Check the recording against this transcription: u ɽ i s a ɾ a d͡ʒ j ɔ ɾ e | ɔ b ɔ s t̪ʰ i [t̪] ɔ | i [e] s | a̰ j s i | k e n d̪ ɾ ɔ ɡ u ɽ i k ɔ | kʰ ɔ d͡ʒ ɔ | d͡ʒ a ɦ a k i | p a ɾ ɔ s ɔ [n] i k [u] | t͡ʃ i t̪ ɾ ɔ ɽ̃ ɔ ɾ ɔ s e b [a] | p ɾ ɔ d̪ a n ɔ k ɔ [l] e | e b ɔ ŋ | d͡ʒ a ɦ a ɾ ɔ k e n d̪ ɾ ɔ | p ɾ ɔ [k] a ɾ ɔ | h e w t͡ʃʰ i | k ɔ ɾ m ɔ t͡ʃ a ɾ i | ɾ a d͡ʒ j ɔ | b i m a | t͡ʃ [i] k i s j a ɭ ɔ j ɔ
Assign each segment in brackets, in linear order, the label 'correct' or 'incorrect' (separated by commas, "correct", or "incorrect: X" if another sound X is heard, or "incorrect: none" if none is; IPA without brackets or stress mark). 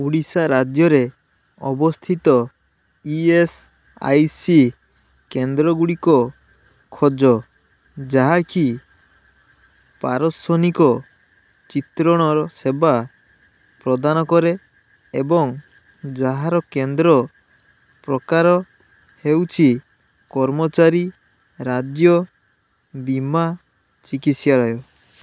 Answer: correct, correct, correct, incorrect: ɔ, correct, incorrect: ɾ, correct, correct